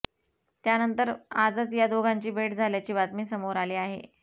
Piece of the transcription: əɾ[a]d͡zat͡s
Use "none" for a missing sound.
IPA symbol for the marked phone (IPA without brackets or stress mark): a